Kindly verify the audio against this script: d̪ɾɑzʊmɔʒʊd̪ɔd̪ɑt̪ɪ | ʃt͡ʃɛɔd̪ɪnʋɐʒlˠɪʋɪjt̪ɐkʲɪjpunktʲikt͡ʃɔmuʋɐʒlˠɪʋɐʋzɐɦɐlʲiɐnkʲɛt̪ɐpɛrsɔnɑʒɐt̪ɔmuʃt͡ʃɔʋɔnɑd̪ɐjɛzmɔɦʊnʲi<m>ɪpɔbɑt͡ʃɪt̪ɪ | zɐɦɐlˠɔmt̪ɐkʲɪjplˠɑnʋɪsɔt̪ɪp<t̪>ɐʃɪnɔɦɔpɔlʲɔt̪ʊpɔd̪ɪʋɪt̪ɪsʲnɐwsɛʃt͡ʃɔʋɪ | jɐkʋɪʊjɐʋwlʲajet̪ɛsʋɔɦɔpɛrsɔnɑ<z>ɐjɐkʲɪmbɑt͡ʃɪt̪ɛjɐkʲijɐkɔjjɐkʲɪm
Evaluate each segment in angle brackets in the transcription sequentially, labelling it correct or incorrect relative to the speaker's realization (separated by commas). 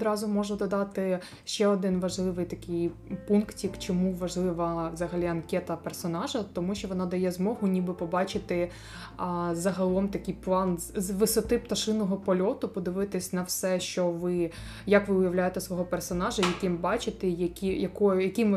incorrect, correct, incorrect